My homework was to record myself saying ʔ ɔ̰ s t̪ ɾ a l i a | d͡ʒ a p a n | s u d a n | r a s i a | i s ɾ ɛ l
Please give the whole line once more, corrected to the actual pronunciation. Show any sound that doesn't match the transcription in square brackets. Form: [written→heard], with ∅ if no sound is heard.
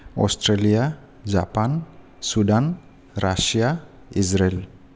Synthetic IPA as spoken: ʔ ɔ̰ s t̪ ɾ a l i a | d͡ʒ a p a n | s u d a n | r a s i a | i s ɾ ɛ l

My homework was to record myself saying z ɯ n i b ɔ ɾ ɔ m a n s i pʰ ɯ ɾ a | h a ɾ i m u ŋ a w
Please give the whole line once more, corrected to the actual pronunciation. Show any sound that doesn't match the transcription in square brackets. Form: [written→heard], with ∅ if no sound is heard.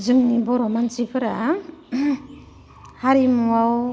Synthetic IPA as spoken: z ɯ [n→ŋ] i b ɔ ɾ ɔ m a n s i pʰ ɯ ɾ a | h a ɾ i m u [ŋ→∅] a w

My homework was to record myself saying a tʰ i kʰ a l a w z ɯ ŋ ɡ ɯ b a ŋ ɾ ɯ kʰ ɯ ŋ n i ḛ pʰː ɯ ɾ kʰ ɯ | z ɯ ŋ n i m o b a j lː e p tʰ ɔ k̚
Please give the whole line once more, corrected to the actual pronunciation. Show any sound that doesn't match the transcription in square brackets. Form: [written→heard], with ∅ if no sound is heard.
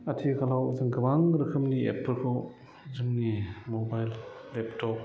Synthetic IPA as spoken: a tʰ i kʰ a l a w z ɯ ŋ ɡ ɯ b a ŋ ɾ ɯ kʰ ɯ [ŋ→m] n i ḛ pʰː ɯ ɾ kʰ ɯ | z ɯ ŋ n i m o b a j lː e p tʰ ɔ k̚

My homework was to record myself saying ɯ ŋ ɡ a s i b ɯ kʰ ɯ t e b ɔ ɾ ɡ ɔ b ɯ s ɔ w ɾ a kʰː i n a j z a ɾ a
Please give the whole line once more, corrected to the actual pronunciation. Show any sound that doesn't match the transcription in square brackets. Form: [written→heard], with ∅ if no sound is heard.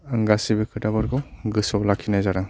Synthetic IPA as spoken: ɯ ŋ ɡ a s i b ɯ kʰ ɯ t [e→a] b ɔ ɾ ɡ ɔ [b→ɡ] ɯ s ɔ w [ɾ→l] a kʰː i n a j z a ɾ a

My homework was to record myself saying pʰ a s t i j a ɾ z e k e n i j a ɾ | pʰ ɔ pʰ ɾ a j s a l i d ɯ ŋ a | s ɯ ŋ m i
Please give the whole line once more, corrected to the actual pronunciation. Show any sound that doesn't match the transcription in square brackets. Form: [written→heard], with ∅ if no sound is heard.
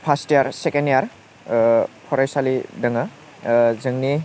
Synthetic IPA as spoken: pʰ a s t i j a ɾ [z→s] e k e n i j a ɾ | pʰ ɔ [pʰ→∅] ɾ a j s a l i d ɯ ŋ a | [s→z] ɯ ŋ [m→n] i

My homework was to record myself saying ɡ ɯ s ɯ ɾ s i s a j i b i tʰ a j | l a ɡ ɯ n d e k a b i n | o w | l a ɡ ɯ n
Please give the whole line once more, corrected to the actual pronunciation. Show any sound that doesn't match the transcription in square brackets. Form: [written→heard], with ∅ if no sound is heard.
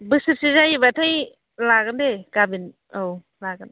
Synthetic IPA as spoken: [ɡ→b] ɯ s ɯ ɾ s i [s→z] a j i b [i→a] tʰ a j | l a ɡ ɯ n d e k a b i n | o w | l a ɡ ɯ n

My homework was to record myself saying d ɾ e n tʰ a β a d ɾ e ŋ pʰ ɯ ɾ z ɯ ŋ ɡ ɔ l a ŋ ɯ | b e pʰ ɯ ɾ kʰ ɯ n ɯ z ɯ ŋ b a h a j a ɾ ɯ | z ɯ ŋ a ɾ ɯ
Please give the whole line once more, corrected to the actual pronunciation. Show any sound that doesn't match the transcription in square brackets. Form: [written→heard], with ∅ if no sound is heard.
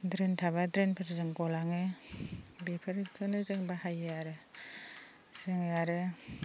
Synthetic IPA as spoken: d ɾ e n tʰ a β a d ɾ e [ŋ→n] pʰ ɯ ɾ z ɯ ŋ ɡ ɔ l a ŋ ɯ | b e pʰ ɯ ɾ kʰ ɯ n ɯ z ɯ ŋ b a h a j a ɾ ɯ | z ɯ ŋ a ɾ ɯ

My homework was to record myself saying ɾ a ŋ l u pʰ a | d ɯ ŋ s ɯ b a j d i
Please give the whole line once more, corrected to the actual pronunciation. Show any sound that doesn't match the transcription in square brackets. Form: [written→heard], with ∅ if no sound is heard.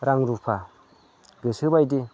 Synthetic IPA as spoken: ɾ a ŋ [l→ɾ] u pʰ a | [d→ɡ] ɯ [ŋ→∅] s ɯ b a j d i

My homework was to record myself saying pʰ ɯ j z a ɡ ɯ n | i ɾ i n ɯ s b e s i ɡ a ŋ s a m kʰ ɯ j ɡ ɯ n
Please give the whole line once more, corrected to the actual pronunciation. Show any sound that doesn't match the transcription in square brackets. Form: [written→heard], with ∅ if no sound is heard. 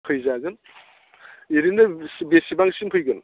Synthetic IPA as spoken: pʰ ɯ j z a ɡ ɯ n | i ɾ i n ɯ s b e s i [ɡ→b] a ŋ s [a→i] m [kʰ→pʰ] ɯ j ɡ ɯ n

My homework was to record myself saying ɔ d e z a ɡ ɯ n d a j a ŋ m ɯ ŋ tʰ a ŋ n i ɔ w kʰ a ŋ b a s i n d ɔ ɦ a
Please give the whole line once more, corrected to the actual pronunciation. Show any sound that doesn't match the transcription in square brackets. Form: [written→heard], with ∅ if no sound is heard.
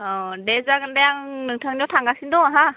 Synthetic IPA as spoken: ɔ d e z a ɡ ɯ n d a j a ŋ [m→n] ɯ ŋ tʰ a ŋ n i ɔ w [kʰ→tʰ] a ŋ [b→ɡ] a s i n d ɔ ɦ a

